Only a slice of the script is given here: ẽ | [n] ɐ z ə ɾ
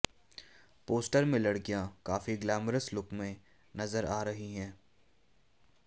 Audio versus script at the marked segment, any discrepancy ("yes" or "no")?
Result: no